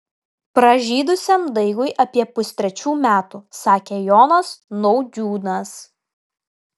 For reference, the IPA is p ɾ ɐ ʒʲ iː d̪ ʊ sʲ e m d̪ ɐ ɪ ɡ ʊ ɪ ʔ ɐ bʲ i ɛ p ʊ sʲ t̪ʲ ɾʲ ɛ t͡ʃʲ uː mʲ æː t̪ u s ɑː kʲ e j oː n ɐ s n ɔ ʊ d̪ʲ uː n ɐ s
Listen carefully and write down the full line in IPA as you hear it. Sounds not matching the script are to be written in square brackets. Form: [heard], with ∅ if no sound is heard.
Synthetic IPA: p ɾ ɐ ʒʲ iː d̪ ʊ sʲ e m d̪ ɐ ɪ ɡ ʊ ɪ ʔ ɐ [pʲ] i ɛ p ʊ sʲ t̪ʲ ɾʲ ɛ t͡ʃʲ uː mʲ æː t̪ u s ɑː kʲ e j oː n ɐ s n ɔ ʊ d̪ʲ uː n ɐ s

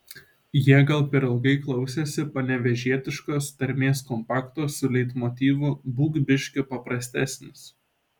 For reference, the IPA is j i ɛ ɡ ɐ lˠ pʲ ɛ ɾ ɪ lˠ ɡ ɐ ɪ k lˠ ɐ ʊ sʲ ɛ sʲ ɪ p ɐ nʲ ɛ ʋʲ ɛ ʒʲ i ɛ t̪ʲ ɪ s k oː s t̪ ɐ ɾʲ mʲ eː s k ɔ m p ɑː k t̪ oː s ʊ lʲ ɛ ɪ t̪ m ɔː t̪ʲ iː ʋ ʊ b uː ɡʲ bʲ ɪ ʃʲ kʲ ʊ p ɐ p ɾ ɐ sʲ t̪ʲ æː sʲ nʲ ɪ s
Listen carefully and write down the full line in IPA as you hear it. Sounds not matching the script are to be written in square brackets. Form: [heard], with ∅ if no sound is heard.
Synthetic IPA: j i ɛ ɡ ɐ lˠ pʲ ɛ ɾ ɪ lˠ ɡ ɐ ɪ k lˠ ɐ ʊ sʲ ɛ sʲ ɪ p ɐ nʲ ɛ ʋʲ ɛ ʒʲ i ɛ t̪ʲ ɪ [ʃ] k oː s t̪ ɐ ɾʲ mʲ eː s k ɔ m p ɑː k t̪ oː s ʊ lʲ ɛ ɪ t̪ m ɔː t̪ʲ iː ʋ ʊ b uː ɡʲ bʲ ɪ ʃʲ kʲ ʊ p ɐ p ɾ ɐ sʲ t̪ʲ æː sʲ nʲ ɪ s

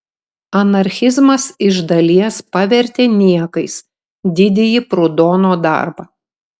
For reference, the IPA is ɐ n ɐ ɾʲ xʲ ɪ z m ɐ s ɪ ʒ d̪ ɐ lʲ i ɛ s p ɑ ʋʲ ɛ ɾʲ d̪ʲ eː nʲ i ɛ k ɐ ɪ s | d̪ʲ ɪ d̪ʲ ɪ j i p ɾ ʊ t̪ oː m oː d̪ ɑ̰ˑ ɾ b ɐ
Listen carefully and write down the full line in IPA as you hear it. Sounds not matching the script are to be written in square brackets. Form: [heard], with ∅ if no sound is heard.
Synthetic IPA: ɐ n ɐ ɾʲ xʲ ɪ z m ɐ s ɪ ʒ d̪ ɐ lʲ i ɛ s p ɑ ʋʲ ɛ ɾʲ [t̪ʲ] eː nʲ i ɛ k ɐ ɪ s | d̪ʲ ɪ d̪ʲ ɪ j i p ɾ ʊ [d̪] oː [n] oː d̪ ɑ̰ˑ ɾ b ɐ

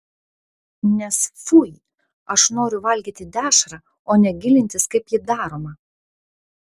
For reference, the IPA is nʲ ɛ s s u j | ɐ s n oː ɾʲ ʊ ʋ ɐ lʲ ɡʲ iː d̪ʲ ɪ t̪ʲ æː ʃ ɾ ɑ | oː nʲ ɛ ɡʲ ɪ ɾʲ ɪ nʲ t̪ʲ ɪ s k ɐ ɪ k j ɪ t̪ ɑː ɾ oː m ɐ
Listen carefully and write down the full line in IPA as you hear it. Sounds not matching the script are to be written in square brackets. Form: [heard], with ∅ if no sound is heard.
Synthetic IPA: nʲ ɛ s [f] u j | ɐ [ʃ] n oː ɾʲ ʊ ʋ ɐ lʲ ɡʲ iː [t̪ʲ] ɪ [d̪ʲ] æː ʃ ɾ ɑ | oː nʲ ɛ ɡʲ ɪ [lʲ] ɪ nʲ t̪ʲ ɪ s k ɐ ɪ [p] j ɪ [d̪] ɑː ɾ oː m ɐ

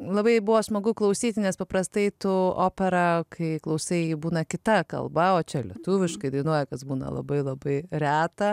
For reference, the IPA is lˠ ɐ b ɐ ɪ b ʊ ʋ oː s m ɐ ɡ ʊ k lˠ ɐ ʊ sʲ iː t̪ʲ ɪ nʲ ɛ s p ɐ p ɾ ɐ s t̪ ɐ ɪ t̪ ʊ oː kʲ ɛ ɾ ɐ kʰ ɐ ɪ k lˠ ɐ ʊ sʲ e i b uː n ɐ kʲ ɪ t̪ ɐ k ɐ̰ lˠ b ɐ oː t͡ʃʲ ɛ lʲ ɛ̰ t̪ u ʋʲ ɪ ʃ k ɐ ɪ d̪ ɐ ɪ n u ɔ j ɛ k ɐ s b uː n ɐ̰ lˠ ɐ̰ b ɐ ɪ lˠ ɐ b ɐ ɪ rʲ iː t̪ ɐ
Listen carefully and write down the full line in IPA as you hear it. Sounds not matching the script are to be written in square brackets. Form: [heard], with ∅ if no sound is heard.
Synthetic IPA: lˠ ɐ b ɐ ɪ b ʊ ʋ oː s m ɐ ɡ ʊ k lˠ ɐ ʊ sʲ iː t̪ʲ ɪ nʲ ɛ s p ɐ p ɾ ɐ s t̪ ɐ ɪ t̪ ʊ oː [pʲ] ɛ ɾ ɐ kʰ ɐ ɪ k lˠ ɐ ʊ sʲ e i b uː n ɐ kʲ ɪ t̪ ɐ k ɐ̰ lˠ b ɐ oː t͡ʃʲ ɛ lʲ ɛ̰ t̪ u ʋʲ ɪ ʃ k ɐ ɪ d̪ ɐ ɪ n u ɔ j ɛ k ɐ s b uː n ɐ̰ lˠ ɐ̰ b ɐ ɪ lˠ ɐ b ɐ ɪ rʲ [æː] t̪ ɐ

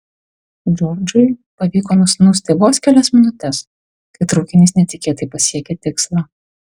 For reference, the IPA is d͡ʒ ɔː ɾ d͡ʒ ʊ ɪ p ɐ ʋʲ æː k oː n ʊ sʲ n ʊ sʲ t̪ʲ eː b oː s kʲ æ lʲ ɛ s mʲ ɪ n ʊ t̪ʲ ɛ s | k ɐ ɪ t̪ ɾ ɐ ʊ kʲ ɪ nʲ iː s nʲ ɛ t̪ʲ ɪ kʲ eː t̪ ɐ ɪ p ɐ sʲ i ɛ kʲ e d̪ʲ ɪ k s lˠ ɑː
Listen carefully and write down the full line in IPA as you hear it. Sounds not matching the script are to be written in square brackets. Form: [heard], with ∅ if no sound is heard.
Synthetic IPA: d͡ʒ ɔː ɾ d͡ʒ ʊ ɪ p ɐ ʋʲ [iː] k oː n ʊ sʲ n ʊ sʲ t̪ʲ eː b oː s kʲ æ lʲ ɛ s mʲ ɪ n ʊ t̪ʲ ɛ s | k ɐ ɪ t̪ ɾ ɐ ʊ kʲ ɪ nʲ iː s nʲ ɛ t̪ʲ ɪ kʲ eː t̪ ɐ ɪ p ɐ sʲ i ɛ kʲ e [t̪ʲ] ɪ k s lˠ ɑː

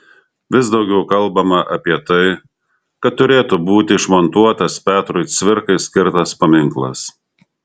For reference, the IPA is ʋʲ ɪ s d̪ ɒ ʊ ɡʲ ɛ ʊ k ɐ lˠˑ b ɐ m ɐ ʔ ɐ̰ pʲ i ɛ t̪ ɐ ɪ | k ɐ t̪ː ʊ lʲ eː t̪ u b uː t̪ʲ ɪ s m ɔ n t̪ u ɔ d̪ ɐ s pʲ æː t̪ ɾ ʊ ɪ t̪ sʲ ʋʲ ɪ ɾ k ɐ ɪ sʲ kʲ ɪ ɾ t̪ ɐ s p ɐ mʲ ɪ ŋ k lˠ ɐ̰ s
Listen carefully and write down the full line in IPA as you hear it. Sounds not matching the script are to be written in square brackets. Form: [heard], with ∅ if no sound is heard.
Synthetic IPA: ʋʲ ɪ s d̪ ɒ ʊ ɡʲ ɛ ʊ k ɐ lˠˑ b ɐ m ɐ ʔ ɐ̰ pʲ i ɛ t̪ ɐ ɪ | k ɐ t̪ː ʊ [ɾʲ] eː t̪ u b uː t̪ʲ ɪ [ʃ] m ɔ n t̪ u ɔ [t̪] ɐ s pʲ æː t̪ ɾ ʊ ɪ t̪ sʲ ʋʲ ɪ ɾ k ɐ ɪ sʲ kʲ ɪ ɾ t̪ ɐ s p ɐ mʲ ɪ ŋ k lˠ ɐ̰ s

